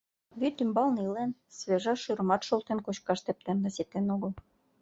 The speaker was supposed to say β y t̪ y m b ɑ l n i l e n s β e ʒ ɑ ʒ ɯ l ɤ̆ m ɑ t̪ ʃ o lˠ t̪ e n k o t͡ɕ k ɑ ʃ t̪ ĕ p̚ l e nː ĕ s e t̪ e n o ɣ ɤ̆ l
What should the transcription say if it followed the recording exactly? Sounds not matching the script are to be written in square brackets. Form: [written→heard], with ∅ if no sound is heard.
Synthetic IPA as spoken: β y t̪ y m b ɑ l n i l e n s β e ʒ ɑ [ʒ→ʃ] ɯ [l→ɾ] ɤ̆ m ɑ t̪ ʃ o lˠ t̪ e n k o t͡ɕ k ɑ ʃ t̪ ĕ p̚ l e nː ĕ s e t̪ e n o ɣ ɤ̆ l